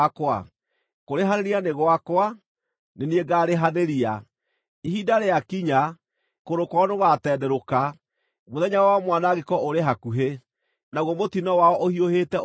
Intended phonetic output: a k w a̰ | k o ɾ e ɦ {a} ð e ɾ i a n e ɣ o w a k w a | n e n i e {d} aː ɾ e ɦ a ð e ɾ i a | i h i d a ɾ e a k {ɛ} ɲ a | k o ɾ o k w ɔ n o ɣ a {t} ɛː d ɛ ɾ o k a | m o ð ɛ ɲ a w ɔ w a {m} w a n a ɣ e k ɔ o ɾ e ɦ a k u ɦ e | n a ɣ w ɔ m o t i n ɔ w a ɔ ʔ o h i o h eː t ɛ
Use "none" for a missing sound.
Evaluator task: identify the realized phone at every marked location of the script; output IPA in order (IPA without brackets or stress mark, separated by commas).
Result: a, ɡ, i, t, m